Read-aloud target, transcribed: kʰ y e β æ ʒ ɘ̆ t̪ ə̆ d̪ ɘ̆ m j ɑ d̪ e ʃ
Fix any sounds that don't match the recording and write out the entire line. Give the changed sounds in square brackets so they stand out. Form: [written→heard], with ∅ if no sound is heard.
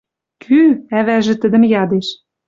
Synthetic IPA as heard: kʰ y [e→æ] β æ ʒ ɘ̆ t̪ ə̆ d̪ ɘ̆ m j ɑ d̪ e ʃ